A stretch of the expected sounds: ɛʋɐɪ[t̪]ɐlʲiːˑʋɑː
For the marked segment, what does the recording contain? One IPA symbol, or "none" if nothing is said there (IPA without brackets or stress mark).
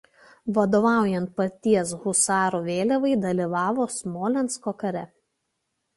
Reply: d̪